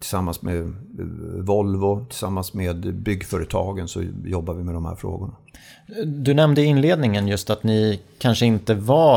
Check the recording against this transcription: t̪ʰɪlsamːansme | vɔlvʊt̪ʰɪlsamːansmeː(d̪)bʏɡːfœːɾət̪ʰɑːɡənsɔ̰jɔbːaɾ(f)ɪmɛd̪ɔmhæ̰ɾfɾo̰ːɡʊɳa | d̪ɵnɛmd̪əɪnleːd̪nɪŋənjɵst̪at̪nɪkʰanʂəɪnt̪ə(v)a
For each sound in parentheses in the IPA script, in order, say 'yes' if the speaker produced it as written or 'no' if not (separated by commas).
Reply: yes, no, yes